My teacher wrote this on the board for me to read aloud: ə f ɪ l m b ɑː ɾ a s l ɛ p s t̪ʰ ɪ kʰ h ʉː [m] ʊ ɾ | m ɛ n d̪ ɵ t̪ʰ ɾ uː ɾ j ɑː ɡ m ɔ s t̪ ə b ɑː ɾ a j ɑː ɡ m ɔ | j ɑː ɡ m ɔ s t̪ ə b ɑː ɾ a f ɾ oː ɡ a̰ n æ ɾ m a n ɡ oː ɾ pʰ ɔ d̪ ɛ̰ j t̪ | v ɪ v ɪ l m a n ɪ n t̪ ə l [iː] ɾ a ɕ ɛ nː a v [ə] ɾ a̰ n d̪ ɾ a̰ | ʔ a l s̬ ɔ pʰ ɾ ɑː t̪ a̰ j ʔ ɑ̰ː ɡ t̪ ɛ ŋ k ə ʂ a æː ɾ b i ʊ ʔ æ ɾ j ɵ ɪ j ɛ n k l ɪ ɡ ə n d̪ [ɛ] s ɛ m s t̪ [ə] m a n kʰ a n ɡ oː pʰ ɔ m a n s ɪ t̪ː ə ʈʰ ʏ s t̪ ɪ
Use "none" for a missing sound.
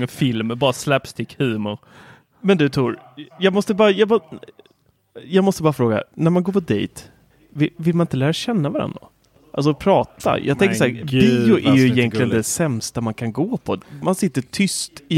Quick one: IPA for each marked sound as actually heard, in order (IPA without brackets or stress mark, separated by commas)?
m, æː, a, ɛ, a